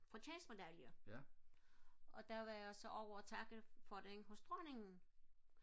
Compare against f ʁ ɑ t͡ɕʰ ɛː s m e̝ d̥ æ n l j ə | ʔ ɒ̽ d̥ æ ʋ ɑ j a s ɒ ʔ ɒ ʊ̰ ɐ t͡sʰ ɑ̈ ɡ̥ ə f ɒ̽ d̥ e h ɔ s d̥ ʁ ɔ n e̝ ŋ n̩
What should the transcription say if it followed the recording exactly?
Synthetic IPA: f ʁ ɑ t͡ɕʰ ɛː s m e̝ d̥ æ l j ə | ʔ ɒ̽ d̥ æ ʋ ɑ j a s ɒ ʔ ɒ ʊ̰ ɐ t͡sʰ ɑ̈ ɡ̥ ə f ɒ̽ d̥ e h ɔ s d̥ ʁ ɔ n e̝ ŋ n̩